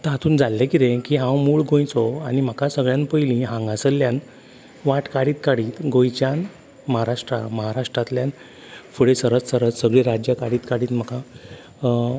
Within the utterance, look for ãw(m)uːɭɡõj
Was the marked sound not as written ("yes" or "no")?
no